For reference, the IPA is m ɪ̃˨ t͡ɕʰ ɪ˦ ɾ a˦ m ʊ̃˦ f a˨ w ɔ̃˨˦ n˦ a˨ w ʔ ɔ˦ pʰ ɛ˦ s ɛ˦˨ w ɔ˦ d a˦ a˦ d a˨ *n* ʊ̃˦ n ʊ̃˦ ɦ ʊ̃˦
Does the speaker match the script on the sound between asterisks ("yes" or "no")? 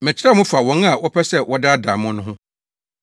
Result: no